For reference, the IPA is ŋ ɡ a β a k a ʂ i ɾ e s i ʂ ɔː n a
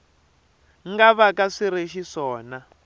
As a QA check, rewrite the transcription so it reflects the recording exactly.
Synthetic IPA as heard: ŋ ɡ a β a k a ʂ i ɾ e ʃ i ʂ ɔː n a